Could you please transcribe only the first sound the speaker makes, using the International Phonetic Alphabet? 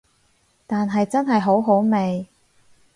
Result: t̪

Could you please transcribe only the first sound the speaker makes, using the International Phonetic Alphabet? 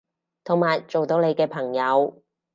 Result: t̪ʰ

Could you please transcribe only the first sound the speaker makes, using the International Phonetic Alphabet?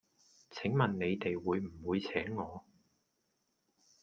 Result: t͡sʰ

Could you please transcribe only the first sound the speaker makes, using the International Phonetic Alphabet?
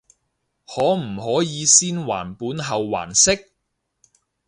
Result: h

